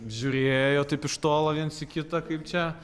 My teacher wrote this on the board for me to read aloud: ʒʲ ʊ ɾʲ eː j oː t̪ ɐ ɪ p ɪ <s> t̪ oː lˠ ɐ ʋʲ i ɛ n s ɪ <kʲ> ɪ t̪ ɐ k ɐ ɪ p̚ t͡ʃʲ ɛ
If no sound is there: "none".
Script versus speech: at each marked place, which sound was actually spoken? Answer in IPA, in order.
ʃ, kʲ

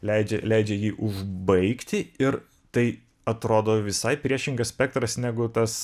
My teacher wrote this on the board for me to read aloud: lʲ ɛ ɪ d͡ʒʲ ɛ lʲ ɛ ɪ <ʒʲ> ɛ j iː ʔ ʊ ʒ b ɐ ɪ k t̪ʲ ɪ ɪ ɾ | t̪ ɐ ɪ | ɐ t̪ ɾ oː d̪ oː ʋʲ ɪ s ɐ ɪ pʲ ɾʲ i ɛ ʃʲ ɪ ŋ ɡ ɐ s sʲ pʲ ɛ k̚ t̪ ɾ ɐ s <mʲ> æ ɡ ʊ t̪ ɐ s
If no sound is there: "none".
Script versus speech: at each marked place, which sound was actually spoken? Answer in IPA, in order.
d͡ʒʲ, nʲ

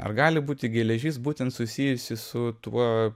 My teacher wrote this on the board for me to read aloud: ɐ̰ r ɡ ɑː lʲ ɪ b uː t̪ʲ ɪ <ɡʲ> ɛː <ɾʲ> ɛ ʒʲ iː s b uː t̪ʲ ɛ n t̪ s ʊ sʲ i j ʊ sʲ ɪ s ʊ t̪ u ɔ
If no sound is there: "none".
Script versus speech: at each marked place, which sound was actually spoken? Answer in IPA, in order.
ɡʲ, lʲ

